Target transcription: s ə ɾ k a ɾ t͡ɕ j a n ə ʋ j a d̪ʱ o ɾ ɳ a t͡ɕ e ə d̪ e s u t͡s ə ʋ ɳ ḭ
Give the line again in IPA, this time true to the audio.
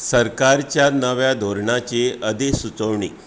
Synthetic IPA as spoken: s ə ɾ k a ɾ t͡ɕ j a n ə ʋ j a d̪ʱ o ɾ ɳ a t͡ɕ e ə d̪ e s u t͡s ə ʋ ɳ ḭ